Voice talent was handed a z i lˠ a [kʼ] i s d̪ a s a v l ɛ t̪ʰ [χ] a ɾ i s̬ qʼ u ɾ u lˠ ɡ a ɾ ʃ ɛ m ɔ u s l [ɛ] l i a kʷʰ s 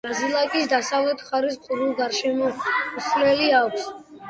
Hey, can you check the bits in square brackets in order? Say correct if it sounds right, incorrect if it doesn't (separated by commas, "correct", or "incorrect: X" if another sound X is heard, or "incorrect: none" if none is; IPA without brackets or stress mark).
correct, correct, correct